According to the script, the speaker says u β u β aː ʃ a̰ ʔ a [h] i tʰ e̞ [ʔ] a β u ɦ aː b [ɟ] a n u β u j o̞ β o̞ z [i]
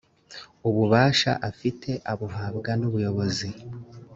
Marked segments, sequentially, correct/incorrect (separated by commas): incorrect, correct, incorrect, correct